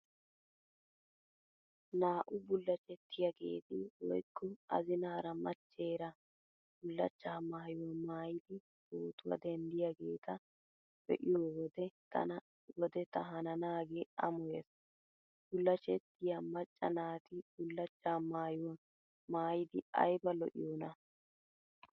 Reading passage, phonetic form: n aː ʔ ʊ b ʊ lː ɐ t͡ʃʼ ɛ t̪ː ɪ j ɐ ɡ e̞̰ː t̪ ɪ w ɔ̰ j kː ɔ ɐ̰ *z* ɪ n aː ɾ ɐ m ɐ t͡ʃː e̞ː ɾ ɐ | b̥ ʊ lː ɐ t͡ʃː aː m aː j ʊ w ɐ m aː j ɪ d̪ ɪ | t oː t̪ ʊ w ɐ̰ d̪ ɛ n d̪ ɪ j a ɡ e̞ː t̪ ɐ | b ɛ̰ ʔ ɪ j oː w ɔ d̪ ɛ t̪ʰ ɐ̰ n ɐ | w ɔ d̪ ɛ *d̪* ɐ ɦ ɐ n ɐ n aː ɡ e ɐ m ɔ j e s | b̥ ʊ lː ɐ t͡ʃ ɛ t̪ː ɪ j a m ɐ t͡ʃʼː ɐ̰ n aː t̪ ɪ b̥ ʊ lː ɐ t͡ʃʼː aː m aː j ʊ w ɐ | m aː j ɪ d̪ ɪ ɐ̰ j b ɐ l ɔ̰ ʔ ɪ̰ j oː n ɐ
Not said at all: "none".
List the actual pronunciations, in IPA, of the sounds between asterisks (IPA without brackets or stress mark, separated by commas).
z, t̪